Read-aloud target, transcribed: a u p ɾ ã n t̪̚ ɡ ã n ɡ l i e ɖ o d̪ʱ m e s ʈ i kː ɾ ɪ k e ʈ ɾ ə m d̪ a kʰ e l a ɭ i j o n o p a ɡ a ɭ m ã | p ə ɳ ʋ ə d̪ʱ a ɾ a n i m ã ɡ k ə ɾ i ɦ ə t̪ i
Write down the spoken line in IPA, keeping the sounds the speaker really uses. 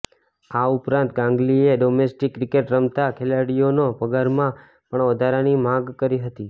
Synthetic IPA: a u p ɾ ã n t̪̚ ɡ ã ŋ ɡ l i e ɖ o m e s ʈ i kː ɾ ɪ k e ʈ ɾ ə m t̪ a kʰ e l a ɽ i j o n o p ə ɡ a ɾ m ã | p ə ɳ ʋ ə d̪ʱ a ɾ a n i m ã ɡ k ə ɾ i ɦ ə t̪ i